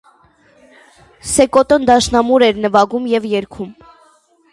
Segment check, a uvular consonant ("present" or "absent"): absent